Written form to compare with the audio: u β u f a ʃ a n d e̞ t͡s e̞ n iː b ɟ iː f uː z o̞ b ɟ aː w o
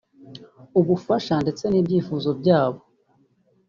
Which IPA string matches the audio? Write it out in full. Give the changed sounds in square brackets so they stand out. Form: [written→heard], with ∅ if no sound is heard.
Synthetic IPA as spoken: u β u f a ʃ a n d e̞ t͡s e̞ n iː b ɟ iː f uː z o̞ b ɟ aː [w→β] o